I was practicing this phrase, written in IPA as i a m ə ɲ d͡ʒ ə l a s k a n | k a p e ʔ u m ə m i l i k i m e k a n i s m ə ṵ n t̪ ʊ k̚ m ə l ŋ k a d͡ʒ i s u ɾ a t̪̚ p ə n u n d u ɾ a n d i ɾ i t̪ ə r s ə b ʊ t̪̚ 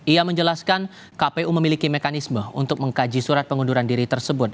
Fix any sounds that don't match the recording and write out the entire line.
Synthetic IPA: i a m ə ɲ d͡ʒ ə l a s k a n | k a p e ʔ u m ə m i l i k i m e k a n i s m ə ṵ n t̪ ʊ k̚ m ə ŋ k a d͡ʒ i s u ɾ a t̪̚ p ə ŋ u n d u ɾ a n d i ɾ i t̪ ə r s ə b ʊ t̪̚